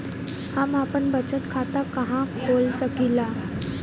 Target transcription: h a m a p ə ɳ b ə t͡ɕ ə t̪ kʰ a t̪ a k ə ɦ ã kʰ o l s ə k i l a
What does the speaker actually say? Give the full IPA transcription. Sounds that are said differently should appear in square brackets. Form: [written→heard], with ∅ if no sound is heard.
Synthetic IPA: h a m a p ə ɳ b ə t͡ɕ ə t̪ kʰ a t̪ a k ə ɦ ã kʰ o l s ə k i l a